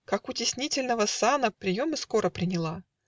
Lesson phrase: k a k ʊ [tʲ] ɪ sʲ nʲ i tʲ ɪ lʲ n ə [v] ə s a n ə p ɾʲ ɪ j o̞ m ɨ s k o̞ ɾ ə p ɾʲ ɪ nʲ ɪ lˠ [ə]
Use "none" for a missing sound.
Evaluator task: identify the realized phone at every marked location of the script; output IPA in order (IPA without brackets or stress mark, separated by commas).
tʲ, v, a